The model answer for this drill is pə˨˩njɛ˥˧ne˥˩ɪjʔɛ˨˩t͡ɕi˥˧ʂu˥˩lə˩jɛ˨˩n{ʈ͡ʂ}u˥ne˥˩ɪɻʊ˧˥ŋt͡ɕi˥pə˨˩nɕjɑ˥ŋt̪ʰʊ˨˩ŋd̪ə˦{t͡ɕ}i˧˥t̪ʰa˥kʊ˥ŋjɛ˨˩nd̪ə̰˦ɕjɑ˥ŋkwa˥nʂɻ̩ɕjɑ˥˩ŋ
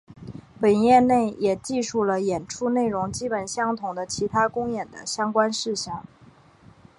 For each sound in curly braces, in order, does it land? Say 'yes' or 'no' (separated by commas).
no, no